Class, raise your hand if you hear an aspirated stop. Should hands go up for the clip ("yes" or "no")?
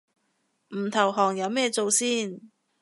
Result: yes